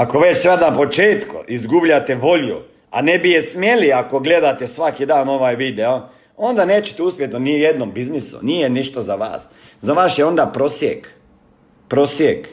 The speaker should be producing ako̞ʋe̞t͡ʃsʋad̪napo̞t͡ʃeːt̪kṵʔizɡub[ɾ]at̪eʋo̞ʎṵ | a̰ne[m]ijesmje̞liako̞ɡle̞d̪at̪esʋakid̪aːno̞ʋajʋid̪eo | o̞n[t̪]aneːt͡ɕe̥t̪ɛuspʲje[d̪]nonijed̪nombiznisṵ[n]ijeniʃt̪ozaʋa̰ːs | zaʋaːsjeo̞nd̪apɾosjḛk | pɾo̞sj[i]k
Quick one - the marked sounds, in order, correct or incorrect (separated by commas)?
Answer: incorrect, incorrect, incorrect, incorrect, correct, incorrect